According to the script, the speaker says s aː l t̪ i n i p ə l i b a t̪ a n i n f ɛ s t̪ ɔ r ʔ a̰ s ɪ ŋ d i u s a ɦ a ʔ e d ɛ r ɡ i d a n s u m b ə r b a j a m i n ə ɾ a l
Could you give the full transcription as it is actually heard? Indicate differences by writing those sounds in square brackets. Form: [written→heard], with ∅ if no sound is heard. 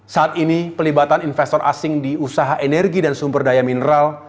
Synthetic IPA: s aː [l→∅] t̪ i n i p ə l i b a t̪ a n i n f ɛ s t̪ ɔ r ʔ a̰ s ɪ ŋ d i u s a ɦ a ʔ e [d→n] ɛ r ɡ i d a n s u m b ə r [b→d] a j a m i n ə ɾ a l

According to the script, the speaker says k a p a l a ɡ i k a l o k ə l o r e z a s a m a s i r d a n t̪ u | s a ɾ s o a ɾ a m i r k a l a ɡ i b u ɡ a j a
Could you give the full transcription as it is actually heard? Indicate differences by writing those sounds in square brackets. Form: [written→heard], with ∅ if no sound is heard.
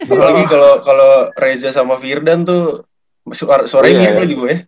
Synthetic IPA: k a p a l a ɡ i k a l o k [ə→a] l o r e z a s a m a [s→f] i r d a n t̪ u | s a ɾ s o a ɾ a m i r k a l a ɡ i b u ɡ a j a

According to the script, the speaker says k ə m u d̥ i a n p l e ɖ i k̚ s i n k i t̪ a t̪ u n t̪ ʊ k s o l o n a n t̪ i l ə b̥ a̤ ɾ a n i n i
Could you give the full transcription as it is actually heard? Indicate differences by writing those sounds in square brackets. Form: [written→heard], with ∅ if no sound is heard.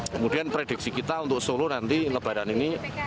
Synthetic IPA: k ə m u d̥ i a n p [l→ɾ] e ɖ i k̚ s i [n→∅] k i t̪ a [t̪→∅] u n t̪ ʊ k s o l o n a n t̪ i l ə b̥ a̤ ɾ a n i n i

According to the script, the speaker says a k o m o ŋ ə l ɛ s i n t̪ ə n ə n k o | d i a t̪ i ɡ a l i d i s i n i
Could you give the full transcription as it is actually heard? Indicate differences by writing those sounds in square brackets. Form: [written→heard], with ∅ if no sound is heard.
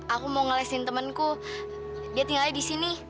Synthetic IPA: a k [o→u] m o ŋ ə l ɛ s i n t̪ ə [n→m] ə n k [o→u] | d i a t̪ i [ɡ→ŋ] a l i d i s i n i

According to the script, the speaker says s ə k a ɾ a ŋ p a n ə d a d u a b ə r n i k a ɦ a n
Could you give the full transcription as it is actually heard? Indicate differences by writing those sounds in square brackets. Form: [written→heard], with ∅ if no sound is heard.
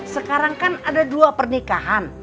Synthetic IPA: s ə k a ɾ a ŋ [p→k] a n [ə→a] d a d u a [b→p] ə r n i k a ɦ a n

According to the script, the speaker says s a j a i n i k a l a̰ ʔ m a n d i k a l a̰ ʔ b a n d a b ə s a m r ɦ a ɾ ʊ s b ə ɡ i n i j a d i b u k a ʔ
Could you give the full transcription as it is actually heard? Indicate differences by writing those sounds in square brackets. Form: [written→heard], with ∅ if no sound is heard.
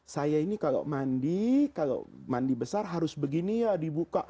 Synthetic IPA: s a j a i n i k a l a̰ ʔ m a n d i k a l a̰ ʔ [b→m] a n d [a→i] b ə s a [m→∅] r ɦ a ɾ ʊ s b ə ɡ i n i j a d i b u k a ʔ

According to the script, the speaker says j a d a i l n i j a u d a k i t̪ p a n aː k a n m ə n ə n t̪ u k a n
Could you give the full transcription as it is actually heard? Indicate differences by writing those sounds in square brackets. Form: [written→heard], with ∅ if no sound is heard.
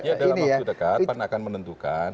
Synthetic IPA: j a d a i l n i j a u d [a→ə] k [i→a] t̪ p a n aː k a n m ə n ə n t̪ u k a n

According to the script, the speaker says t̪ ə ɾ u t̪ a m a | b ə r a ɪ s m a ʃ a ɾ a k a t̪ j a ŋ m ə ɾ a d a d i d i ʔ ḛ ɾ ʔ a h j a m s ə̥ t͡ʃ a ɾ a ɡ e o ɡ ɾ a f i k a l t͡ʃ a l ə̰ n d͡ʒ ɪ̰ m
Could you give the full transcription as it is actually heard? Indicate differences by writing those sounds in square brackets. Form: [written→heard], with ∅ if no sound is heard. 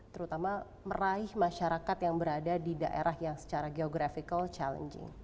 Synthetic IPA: t̪ ə ɾ u t̪ a m a | [b→m] ə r a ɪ [s→h] m a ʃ a ɾ a k a t̪ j a ŋ [m→b] ə ɾ a d a d i d [i→a] ʔ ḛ ɾ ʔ a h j a [m→ŋ] s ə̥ t͡ʃ a ɾ a ɡ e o ɡ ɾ a f i k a l t͡ʃ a l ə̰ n d͡ʒ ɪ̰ [m→ŋ]

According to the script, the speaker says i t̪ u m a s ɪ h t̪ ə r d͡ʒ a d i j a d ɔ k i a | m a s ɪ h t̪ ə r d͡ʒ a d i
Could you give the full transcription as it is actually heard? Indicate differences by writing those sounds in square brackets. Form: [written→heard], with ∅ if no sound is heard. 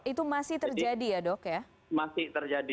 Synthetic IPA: i t̪ u m a s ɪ h t̪ ə r d͡ʒ a d i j a d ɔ k [i→j] a | m a s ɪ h t̪ ə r d͡ʒ a d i

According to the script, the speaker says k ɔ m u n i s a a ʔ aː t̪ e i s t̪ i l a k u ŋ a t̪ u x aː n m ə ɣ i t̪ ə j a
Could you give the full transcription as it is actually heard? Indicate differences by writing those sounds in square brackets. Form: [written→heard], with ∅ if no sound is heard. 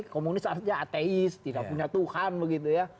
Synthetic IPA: k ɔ m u n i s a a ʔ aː t̪ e i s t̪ i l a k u [ŋ→ɲ] a t̪ u x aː n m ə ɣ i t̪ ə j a

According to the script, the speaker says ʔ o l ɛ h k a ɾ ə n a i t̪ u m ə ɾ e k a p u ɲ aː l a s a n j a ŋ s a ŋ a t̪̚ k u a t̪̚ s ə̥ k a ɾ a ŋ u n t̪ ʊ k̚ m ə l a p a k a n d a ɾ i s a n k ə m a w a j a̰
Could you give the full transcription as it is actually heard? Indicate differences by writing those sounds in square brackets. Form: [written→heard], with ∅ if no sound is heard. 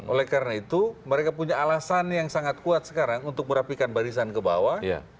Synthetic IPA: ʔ o l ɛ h k a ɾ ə n a i t̪ u m ə ɾ e k a p u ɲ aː l a s a n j a ŋ s a ŋ a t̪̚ k u a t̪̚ s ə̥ k a ɾ a ŋ u n t̪ ʊ k̚ m ə [l→ɾ] a p [a→i] k a n [d→b] a ɾ i s a n k ə [m→b] a w a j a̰

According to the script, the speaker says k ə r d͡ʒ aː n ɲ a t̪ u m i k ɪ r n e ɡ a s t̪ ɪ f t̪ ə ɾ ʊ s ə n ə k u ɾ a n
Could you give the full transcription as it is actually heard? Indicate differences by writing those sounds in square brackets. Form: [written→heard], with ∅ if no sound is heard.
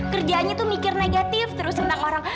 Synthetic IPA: k ə r d͡ʒ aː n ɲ a t̪ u m i k ɪ r n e ɡ a [s→∅] t̪ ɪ f t̪ ə ɾ ʊ s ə n [ə→a] k [u→o] ɾ a [n→ŋ]

